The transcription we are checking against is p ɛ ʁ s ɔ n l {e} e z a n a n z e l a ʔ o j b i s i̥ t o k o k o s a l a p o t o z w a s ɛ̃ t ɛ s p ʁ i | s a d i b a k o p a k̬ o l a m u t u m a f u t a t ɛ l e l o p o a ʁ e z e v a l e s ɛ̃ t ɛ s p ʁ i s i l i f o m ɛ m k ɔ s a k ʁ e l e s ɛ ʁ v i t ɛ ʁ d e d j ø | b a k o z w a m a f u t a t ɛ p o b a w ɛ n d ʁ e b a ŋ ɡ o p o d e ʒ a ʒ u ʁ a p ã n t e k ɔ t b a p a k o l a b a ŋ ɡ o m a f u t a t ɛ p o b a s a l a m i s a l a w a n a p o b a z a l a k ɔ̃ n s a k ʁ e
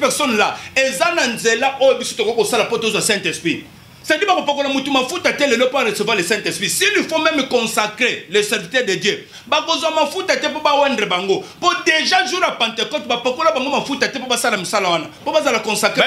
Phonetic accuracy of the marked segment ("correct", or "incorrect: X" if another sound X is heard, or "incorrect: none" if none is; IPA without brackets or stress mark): incorrect: a